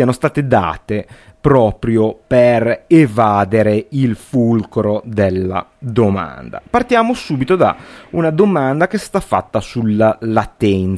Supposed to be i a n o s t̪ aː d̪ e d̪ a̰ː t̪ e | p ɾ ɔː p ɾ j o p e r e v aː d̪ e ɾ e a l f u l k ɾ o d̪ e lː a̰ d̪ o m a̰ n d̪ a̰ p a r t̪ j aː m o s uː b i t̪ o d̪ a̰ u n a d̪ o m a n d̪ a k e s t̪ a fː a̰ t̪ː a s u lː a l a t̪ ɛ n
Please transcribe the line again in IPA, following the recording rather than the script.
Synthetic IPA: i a n o s t̪ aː t̪ e d̪ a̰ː t̪ e | p ɾ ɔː p ɾ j o p e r e v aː d̪ e ɾ e i l f u l k ɾ o d̪ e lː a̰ d̪ o m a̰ n d̪ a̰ p a r t̪ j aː m o s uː b i t̪ o d̪ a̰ u n a d̪ o m a n d̪ a k e s t̪ a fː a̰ t̪ː a s u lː a l a t̪ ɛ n